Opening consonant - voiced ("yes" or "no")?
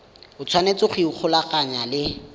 no